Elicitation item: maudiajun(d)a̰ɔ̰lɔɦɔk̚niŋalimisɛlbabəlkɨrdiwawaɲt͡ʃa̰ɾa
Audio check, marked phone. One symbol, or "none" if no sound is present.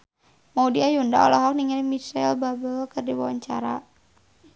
d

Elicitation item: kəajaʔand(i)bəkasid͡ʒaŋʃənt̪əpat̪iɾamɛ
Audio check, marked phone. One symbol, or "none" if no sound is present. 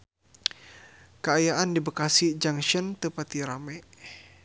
i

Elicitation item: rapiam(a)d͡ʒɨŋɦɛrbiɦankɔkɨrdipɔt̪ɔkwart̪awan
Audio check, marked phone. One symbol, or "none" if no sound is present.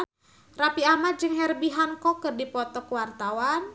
a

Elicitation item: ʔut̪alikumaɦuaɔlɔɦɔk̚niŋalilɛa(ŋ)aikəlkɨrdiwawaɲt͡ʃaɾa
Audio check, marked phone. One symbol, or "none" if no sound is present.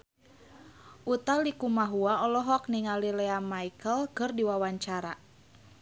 m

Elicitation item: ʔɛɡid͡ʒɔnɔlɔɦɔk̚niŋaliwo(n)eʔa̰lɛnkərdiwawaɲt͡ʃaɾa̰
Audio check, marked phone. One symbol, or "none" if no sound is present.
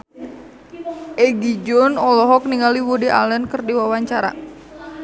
d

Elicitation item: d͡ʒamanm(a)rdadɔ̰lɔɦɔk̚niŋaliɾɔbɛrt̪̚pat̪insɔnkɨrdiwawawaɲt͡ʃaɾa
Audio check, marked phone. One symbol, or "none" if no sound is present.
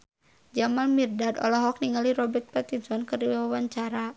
i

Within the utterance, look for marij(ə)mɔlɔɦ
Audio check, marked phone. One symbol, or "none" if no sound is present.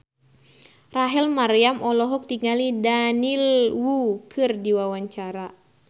a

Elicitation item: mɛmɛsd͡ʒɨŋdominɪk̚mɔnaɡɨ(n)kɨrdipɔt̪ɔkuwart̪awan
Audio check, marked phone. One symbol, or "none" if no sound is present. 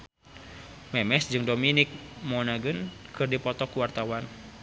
n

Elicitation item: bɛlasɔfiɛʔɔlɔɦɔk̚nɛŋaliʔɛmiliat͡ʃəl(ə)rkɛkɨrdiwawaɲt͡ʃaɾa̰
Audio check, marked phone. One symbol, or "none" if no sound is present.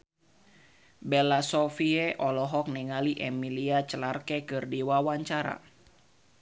a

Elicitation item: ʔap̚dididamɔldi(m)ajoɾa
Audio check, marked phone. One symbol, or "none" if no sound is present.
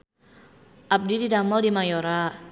m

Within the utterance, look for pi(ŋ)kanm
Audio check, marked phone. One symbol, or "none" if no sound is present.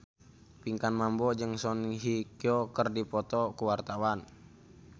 ŋ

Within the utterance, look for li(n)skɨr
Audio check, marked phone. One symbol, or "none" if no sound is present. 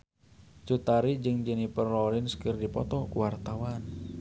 n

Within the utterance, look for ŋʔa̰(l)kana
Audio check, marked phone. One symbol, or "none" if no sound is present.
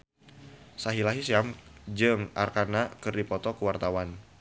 r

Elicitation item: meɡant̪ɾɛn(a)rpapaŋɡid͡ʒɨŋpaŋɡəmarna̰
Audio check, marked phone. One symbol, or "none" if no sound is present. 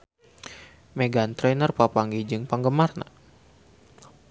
ə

